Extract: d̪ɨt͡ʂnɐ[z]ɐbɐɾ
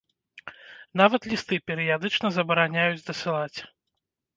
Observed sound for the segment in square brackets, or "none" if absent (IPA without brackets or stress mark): z